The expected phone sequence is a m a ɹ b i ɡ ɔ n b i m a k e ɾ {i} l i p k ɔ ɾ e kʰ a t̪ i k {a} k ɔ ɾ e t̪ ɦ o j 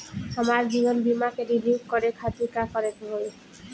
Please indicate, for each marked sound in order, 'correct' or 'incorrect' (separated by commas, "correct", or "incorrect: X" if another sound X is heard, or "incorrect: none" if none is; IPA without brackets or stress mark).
correct, correct